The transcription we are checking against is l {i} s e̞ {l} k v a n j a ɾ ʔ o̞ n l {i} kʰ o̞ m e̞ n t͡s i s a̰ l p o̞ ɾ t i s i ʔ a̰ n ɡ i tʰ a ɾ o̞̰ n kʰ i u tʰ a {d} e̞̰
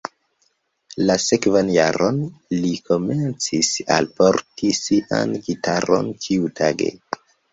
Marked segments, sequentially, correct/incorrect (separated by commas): incorrect, incorrect, correct, incorrect